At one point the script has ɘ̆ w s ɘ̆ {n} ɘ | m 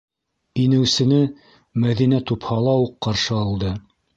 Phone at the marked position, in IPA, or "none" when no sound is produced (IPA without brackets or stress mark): n